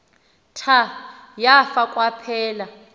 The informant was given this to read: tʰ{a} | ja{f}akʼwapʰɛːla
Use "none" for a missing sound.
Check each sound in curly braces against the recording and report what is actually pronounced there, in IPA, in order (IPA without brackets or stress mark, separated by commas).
a, f